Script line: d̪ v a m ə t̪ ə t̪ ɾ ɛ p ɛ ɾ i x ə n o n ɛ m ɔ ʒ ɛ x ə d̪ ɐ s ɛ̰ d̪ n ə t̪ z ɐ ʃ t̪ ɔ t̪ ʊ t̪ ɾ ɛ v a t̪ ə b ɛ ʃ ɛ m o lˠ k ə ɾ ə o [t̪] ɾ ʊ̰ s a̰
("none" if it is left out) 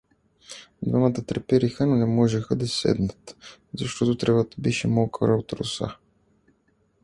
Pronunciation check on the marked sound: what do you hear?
t̪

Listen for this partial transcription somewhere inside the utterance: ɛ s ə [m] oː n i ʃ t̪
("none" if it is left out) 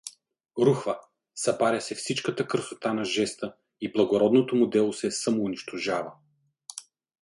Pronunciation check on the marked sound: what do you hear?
m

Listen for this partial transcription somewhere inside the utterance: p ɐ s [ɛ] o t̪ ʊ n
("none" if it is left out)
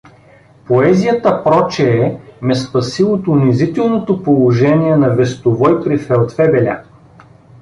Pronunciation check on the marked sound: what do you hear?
i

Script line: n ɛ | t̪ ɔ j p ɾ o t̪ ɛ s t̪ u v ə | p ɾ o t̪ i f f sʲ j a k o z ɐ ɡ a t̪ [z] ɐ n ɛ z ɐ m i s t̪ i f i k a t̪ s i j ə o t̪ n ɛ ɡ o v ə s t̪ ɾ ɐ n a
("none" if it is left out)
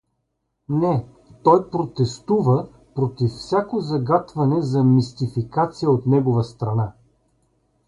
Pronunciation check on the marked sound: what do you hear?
v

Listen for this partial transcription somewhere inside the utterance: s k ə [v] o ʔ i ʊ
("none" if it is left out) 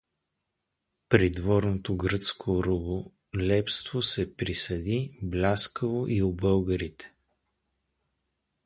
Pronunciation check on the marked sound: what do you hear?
v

